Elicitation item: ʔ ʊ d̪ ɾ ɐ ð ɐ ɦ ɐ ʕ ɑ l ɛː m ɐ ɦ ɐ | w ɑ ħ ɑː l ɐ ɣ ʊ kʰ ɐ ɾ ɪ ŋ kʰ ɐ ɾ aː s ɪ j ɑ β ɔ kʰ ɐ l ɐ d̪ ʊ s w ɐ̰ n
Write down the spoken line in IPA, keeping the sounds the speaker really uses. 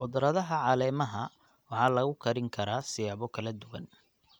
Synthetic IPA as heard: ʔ ʊ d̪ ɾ ɐ ð ɐ ɦ ɐ ʕ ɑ l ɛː m ɐ ɦ ɐ | w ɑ ħ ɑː l ɐ ɣ ʊ kʰ ɐ ɾ ɪ ŋ kʰ ɐ ɾ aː s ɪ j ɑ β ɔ kʰ ɐ l ɐ d̪ ʊ w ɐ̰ n